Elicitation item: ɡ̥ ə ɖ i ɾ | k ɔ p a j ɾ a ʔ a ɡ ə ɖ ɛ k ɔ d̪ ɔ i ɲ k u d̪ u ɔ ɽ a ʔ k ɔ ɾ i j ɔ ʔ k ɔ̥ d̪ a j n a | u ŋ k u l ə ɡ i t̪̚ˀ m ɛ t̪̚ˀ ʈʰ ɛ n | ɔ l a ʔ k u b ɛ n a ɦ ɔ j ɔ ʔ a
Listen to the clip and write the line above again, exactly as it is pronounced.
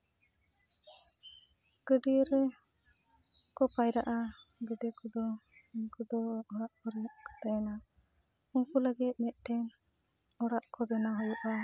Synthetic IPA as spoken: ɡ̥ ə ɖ i ɾ | k ɔ p a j ɾ a ʔ a ɡ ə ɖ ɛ k ɔ d̪ ɔ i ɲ k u d̪ ɔ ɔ ɽ a ʔ k ɔ ɾ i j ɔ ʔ k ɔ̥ t̪ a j n a | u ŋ k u l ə ɡ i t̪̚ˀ m ɛ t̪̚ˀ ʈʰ ɛ n | ɔ ɽ a ʔ k ɔ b ɛ n a ɦ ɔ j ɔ ʔ a